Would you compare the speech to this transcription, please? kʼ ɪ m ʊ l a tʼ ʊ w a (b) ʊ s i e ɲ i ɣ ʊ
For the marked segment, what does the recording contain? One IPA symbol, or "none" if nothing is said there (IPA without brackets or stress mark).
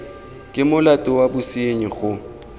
b